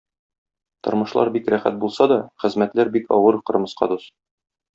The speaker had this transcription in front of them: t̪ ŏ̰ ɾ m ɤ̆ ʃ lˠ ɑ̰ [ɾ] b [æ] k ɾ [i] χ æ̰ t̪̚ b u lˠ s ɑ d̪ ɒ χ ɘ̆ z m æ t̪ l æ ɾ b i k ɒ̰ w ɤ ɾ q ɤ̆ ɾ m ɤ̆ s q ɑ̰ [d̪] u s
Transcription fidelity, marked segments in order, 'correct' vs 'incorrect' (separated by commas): correct, incorrect, incorrect, correct